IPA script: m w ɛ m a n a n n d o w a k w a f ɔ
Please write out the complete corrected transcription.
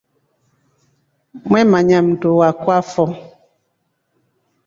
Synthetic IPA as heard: m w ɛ m a ɲ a m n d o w a k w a f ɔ